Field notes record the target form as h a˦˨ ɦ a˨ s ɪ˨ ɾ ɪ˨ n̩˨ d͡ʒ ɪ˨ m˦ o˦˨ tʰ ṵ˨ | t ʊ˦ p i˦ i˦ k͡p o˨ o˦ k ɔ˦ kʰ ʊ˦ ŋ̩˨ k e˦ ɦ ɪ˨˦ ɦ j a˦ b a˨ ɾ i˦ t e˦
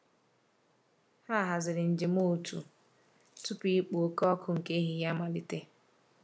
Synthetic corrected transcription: h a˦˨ ɦ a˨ z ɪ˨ ɾ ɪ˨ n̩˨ d͡ʒ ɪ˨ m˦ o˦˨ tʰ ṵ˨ | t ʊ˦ p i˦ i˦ k͡p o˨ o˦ k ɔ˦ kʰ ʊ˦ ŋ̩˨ k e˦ ɦ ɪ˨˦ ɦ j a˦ m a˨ l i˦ t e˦